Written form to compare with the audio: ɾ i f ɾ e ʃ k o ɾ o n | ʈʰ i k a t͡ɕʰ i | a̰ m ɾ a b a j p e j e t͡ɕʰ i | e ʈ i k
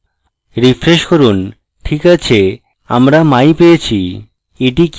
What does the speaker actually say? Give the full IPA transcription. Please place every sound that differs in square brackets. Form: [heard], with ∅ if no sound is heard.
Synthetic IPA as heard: ɾ i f ɾ e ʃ k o ɾ [u] n | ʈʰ i k a t͡ɕʰ [e] | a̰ m ɾ a [m] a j p e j e t͡ɕʰ i | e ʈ i k

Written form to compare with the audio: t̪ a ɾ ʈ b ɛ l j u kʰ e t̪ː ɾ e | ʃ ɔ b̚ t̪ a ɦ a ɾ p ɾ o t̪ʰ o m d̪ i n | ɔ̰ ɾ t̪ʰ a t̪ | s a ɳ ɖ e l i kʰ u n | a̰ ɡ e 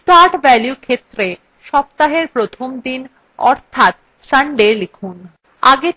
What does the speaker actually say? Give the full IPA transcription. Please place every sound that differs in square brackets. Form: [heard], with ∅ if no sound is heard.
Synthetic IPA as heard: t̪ a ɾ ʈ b ɛ l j u kʰ e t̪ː ɾ e | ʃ ɔ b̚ t̪ a ɦ [e] ɾ p ɾ o t̪ʰ o m d̪ i n | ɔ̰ ɾ t̪ʰ a t̪ | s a ɳ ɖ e l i kʰ u n | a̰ ɡ e

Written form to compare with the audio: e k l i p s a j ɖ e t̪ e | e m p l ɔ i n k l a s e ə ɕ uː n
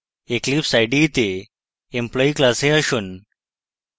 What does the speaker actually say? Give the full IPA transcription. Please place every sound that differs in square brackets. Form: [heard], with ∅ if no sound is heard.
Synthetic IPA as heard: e k l i p s a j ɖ [i] t̪ e | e m p l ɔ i [∅] k l a s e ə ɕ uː n

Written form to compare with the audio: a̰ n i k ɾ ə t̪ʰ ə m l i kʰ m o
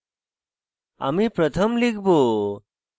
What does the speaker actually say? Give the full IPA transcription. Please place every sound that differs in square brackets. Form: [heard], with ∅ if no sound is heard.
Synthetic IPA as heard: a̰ [m] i [p] ɾ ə t̪ʰ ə m l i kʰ [b] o

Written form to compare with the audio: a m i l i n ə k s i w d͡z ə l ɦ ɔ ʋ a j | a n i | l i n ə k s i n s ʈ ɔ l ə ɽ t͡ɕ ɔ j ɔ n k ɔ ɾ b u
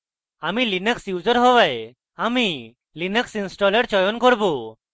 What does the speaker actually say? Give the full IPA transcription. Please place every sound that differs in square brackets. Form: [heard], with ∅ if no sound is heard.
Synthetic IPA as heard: a m i l i n ə k s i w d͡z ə [ɾ] ɦ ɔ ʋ a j | a [m] i | l i n ə k s i n s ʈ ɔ l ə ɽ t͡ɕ ɔ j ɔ n k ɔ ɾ b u

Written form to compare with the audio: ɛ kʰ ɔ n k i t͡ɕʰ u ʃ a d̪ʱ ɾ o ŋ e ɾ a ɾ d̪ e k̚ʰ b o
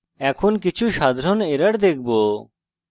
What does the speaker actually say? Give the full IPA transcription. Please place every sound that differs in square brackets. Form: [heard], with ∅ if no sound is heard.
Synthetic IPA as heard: ɛ kʰ [o] n k i t͡ɕʰ u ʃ a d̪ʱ ɾ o [n] e ɾ a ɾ d̪ e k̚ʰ b o

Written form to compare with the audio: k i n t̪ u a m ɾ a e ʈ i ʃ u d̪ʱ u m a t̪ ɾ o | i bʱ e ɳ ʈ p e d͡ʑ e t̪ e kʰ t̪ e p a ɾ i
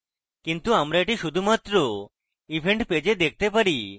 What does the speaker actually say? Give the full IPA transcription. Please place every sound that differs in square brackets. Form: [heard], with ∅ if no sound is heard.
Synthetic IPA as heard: k i n t̪ u a m ɾ a e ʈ i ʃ u d̪ʱ u m a t̪ ɾ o | i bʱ e ɳ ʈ p e d͡ʑ e [d̪] e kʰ t̪ e p a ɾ i

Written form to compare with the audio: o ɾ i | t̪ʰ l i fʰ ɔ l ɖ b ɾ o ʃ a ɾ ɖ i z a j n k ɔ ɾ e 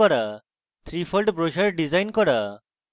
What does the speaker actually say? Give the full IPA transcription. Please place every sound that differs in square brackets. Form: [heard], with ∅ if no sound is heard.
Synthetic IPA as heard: [ɔ] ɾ [a] | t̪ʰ [ɾ] i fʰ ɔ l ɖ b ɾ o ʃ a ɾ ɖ i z a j n k ɔ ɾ [a]

